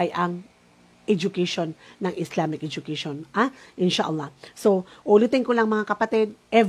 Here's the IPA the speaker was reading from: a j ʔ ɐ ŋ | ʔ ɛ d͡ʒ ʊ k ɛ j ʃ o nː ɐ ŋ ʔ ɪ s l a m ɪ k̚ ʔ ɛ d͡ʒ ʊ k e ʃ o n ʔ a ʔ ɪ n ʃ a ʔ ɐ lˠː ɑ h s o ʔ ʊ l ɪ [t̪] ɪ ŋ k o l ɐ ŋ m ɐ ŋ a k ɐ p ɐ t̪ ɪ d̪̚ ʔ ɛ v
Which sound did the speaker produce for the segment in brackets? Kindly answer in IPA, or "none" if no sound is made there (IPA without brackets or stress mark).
t̪